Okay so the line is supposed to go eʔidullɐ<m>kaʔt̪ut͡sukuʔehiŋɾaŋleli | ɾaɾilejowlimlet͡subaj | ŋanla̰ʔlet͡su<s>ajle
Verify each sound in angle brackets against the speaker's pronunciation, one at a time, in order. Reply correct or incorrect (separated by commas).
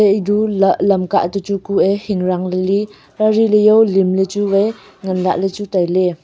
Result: correct, incorrect